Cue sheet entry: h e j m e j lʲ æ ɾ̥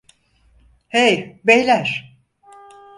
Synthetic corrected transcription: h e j b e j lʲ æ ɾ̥